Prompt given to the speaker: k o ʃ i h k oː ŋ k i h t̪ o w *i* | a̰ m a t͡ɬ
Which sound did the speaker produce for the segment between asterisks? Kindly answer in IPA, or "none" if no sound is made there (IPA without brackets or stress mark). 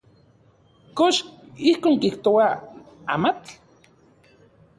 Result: a